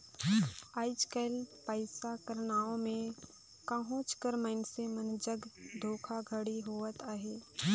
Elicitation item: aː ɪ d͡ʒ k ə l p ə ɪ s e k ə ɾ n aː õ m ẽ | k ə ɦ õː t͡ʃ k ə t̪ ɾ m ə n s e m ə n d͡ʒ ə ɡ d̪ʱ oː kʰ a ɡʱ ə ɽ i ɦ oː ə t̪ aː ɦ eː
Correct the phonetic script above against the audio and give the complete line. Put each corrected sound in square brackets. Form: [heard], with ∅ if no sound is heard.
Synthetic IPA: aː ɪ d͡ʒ k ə l p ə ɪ s [a] k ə ɾ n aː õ m ẽ | k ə ɦ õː t͡ʃ k ə [∅] ɾ m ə n s e m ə n d͡ʒ ə ɡ d̪ʱ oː kʰ a ɡʱ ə ɽ i ɦ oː ə t̪ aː ɦ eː